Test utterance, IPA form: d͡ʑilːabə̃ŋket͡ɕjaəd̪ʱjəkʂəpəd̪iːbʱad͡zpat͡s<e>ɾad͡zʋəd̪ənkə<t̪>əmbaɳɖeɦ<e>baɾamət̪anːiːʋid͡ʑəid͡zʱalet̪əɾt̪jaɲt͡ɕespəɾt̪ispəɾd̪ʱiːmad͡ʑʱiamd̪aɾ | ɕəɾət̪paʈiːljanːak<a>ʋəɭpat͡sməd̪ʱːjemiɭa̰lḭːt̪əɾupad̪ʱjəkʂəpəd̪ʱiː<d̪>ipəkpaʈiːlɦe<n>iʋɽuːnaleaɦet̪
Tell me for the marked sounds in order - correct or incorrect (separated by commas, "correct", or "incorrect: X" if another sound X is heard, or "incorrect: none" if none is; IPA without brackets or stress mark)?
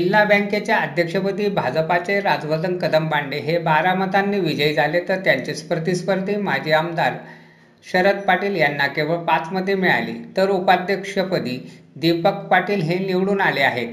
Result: correct, incorrect: d̪, correct, incorrect: e, correct, correct